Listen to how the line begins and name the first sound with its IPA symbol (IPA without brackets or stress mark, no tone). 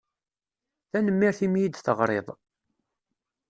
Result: θ